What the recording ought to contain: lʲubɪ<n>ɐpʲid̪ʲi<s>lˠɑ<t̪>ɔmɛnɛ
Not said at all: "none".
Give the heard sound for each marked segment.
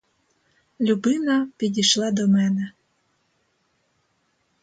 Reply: n, ʃ, d̪

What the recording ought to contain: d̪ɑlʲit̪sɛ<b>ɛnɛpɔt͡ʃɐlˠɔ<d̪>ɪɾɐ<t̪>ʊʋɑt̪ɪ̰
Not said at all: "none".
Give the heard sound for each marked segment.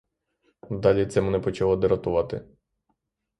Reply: m, d̪, t̪

